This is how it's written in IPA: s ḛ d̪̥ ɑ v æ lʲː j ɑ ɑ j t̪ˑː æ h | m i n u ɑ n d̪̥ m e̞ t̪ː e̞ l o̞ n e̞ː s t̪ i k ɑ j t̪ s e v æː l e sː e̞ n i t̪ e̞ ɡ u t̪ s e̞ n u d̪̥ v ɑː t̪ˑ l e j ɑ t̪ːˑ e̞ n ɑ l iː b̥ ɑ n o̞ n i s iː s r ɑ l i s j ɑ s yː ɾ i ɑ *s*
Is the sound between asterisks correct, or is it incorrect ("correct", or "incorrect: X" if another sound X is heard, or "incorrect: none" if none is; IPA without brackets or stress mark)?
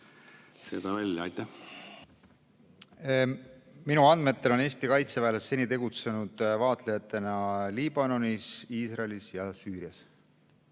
correct